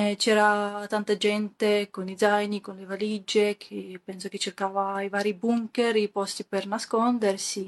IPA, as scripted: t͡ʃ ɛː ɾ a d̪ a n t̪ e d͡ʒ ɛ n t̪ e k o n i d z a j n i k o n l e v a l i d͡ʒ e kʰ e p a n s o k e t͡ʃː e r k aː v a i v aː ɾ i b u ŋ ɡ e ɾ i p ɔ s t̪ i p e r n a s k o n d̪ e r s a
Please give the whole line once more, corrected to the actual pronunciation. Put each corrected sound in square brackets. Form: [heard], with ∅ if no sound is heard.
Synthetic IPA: t͡ʃ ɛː ɾ a [t̪] a n t̪ [a] d͡ʒ ɛ n t̪ e k o n i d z a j n i k o n l e v a l i d͡ʒ e kʰ e p [ɛ] n s o k e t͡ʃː e r k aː v a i v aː ɾ i b u ŋ [k] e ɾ i p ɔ s t̪ i p e r n a s k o n d̪ e r s [i]